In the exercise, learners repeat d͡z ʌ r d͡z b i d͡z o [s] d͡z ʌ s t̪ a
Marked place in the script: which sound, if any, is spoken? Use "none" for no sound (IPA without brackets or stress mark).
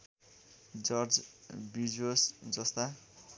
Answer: s